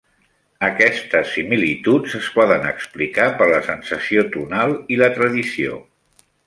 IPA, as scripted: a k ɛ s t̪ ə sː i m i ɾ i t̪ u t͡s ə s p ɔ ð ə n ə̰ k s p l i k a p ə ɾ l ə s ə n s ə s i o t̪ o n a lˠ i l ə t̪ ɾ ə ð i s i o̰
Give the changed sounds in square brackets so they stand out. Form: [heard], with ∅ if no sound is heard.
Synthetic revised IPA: [ə] k ɛ s t̪ ə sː i m i [l] i t̪ u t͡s ə s p ɔ ð ə n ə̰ k s p l i k a p ə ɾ l ə s ə n s ə s i o t̪ [u] n a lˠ i l ə t̪ ɾ ə ð i s i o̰